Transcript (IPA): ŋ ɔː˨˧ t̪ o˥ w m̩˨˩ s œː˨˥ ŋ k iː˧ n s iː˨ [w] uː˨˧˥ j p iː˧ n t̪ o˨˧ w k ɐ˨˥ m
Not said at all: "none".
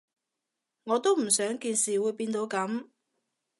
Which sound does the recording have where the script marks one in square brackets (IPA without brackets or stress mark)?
w